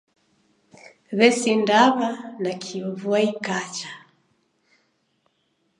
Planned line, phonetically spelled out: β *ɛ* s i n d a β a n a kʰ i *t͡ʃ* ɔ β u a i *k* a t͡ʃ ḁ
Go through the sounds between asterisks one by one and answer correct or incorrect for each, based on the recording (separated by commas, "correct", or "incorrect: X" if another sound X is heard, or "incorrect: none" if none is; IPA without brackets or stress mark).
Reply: correct, incorrect: none, correct